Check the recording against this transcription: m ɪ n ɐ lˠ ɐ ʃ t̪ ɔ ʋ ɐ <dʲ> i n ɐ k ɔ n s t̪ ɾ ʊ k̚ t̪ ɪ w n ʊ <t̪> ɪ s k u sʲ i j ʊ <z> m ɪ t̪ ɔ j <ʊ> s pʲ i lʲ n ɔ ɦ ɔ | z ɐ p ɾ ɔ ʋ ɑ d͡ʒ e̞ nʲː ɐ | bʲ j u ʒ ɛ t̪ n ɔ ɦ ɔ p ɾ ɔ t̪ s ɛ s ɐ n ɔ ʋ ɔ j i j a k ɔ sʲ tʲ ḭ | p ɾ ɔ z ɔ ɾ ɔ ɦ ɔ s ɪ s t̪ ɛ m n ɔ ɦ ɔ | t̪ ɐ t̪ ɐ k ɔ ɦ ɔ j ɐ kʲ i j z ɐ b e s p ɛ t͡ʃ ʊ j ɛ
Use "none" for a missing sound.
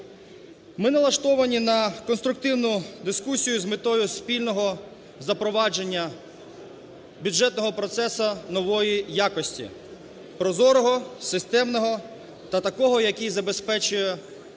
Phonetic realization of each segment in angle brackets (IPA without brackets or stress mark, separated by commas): nʲ, d̪, z, ʊ